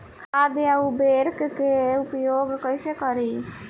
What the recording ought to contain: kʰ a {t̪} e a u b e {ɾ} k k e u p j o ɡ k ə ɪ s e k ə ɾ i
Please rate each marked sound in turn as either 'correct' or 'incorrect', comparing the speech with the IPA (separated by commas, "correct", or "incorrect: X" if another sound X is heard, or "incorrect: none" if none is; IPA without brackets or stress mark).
incorrect: d̪, correct